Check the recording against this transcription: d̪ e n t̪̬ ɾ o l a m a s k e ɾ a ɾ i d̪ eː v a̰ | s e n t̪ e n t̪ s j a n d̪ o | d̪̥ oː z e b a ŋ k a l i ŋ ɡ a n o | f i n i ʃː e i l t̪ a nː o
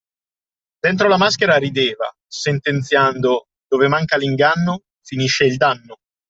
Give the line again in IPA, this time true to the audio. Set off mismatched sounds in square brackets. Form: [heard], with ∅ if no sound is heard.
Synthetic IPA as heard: d̪ e n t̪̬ ɾ o l a m a s k e ɾ a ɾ i d̪ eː v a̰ | s e n t̪ e n t̪ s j a n d̪ o | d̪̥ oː [v] e [m] a ŋ k a l i ŋ ɡ a [nː] o | f i n i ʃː e i l [d̪] a nː o